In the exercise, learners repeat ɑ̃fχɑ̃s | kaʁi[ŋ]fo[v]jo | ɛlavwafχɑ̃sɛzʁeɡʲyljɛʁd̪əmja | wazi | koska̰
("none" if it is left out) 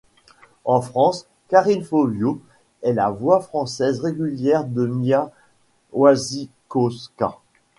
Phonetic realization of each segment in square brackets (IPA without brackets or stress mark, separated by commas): n, v